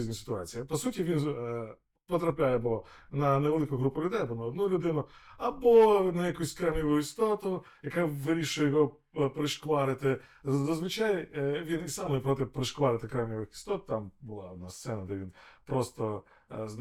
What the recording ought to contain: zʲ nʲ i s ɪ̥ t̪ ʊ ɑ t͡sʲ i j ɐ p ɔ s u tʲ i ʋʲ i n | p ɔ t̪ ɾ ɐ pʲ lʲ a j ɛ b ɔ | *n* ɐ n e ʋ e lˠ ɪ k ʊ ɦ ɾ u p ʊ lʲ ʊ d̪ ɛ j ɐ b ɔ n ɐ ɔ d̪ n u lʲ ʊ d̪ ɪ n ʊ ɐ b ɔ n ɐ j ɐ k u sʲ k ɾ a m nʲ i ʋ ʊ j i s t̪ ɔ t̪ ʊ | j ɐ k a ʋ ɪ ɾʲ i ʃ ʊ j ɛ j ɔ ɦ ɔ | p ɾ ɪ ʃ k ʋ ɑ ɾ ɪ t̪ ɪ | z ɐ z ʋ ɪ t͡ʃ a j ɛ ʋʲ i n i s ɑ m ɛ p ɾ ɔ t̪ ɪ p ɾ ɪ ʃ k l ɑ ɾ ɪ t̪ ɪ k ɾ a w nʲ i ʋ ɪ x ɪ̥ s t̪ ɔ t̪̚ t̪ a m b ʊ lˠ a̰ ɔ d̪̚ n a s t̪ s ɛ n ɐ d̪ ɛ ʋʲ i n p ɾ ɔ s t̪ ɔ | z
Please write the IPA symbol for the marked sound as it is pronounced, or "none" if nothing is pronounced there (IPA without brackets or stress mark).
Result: n